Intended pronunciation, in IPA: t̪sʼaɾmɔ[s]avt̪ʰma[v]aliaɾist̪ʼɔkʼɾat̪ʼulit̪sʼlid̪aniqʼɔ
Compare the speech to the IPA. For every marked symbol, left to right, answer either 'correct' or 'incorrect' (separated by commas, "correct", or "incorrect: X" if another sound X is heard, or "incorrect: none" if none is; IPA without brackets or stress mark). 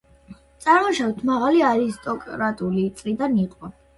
incorrect: ʃ, incorrect: ʁ